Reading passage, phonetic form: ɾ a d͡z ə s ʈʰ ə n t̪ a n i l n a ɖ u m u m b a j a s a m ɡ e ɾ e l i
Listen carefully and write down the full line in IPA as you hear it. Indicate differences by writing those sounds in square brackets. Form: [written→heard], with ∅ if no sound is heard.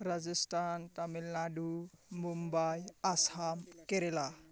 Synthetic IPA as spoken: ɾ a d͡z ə s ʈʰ [ə→a] n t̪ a [n→m] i l n a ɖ u m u m b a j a s a m [ɡ→k] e ɾ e l [i→a]